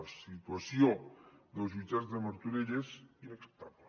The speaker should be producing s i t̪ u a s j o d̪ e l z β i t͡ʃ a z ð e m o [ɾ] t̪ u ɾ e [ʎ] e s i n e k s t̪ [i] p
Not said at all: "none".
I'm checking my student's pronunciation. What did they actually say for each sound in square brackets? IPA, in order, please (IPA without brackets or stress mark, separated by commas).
ɾ, ʎ, a